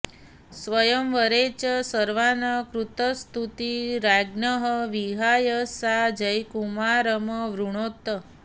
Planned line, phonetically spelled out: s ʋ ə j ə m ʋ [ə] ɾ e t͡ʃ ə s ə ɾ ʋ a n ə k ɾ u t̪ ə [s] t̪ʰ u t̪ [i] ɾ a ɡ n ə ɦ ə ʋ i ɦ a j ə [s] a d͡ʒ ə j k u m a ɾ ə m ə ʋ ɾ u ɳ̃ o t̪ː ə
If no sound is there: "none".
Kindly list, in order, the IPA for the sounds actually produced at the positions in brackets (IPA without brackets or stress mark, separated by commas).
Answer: ə, s, i, s